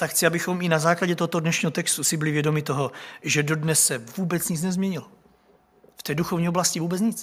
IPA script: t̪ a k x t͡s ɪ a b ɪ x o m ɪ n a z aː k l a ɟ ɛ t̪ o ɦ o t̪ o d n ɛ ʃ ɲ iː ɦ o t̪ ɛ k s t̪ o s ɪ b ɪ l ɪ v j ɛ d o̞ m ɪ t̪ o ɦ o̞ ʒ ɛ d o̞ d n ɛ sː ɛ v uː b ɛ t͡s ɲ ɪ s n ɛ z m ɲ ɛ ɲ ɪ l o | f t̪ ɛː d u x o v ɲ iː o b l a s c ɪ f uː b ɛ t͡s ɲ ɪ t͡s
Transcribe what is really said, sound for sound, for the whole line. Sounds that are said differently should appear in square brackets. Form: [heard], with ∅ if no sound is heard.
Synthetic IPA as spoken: t̪ a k x t͡s ɪ a b ɪ x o m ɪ n a z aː k l a ɟ ɛ t̪ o ɦ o t̪ o d n ɛ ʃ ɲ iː ɦ o t̪ ɛ k s t̪ [u] s ɪ b ɪ l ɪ v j ɛ d o̞ m ɪ t̪ o ɦ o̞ ʒ ɛ d o̞ d n ɛ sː ɛ v uː b ɛ t͡s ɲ ɪ [t͡s] n ɛ z m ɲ ɛ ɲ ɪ l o | f t̪ ɛː d u x o v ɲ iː o b l a s c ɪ [v] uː b ɛ t͡s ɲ ɪ t͡s